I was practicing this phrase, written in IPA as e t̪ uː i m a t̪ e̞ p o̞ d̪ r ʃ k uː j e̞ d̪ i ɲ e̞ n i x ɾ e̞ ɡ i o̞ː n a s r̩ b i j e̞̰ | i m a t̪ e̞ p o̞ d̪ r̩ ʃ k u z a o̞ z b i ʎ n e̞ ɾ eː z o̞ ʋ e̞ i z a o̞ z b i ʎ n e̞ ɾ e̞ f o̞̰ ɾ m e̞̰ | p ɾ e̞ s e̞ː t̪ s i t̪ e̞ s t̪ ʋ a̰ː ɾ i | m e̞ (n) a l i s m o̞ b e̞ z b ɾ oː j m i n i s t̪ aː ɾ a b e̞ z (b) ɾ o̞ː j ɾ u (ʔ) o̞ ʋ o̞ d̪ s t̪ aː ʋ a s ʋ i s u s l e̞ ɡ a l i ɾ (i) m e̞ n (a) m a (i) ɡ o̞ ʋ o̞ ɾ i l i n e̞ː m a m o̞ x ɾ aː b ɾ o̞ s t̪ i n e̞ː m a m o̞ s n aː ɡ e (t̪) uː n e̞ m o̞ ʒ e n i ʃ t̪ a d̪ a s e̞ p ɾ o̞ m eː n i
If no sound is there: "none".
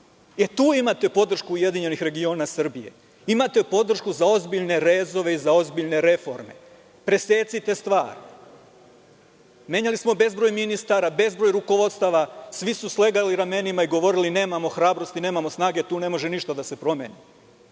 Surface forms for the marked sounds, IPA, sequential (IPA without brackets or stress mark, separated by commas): ɲ, b, k, a, i, i, t̪